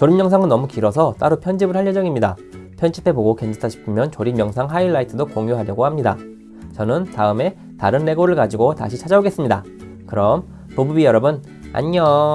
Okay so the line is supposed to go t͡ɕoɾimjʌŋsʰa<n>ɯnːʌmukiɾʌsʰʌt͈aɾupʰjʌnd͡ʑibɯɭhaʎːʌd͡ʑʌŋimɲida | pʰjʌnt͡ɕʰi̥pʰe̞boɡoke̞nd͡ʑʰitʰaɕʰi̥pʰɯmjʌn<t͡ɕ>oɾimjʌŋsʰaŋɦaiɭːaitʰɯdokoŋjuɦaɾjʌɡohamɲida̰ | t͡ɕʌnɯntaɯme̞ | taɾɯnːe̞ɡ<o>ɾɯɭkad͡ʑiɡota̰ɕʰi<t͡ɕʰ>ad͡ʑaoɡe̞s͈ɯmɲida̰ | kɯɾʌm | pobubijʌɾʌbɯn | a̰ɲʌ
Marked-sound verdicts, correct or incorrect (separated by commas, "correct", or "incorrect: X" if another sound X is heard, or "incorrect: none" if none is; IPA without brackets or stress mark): incorrect: ŋ, correct, correct, correct